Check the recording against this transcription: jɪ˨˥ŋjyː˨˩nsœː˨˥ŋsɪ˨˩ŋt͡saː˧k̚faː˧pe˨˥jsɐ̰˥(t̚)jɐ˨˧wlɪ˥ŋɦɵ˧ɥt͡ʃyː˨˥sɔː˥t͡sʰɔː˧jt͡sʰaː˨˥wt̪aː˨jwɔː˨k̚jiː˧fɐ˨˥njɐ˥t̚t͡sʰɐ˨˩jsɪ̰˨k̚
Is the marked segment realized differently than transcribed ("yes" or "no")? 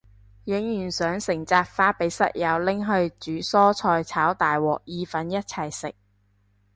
no